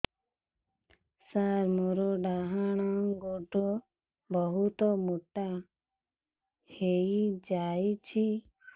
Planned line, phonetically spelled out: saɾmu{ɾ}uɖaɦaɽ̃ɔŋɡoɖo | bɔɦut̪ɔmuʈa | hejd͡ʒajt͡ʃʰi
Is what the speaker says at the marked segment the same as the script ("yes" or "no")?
yes